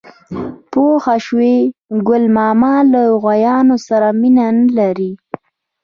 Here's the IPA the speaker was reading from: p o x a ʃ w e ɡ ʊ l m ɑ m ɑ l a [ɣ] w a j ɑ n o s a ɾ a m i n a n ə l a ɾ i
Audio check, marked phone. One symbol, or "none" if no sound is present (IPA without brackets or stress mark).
ɣ